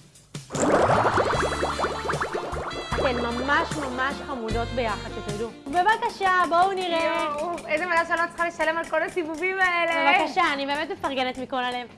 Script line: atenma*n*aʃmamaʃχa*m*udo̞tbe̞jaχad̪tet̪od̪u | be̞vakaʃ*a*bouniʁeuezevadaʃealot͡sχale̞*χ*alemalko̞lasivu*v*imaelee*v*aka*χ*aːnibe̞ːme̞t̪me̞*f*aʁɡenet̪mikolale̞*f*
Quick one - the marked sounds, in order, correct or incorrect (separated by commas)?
incorrect, correct, correct, incorrect, correct, correct, incorrect, correct, incorrect